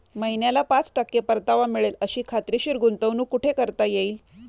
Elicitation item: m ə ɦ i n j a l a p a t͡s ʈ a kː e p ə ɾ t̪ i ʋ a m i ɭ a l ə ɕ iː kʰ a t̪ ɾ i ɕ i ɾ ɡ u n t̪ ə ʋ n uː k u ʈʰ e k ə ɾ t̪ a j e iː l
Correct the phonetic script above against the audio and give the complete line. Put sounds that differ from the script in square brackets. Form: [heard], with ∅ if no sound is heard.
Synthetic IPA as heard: m ə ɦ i n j a l a p a t͡s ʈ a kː e p ə ɾ t̪ [a] ʋ a m i ɭ [e] l ə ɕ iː kʰ a t̪ ɾ i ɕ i ɾ ɡ u n t̪ ə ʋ n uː k u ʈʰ e k ə ɾ t̪ a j e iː l